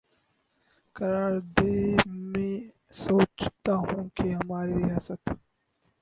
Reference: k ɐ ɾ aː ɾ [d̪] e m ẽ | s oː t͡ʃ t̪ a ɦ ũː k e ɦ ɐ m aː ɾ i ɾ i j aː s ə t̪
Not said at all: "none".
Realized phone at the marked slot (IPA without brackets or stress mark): d̪